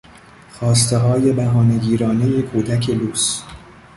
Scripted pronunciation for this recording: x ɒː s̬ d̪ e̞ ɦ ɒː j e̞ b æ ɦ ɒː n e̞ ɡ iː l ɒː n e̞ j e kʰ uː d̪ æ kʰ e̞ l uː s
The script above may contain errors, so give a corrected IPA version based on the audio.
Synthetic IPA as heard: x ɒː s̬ t̪ e̞ ɦ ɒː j e̞ b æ ɦ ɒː n e̞ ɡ iː ɾ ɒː n e̞ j e kʰ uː d̪ æ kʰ e̞ l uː s